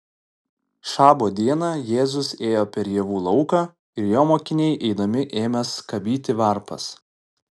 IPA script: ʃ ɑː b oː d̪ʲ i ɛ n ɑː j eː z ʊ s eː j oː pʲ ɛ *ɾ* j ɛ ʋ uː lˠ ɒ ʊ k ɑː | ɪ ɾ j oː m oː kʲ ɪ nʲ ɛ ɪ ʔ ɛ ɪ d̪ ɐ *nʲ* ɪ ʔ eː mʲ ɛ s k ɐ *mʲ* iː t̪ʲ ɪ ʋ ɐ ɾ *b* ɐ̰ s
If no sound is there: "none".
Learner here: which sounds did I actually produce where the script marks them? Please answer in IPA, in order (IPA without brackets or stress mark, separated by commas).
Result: ɾ, mʲ, bʲ, p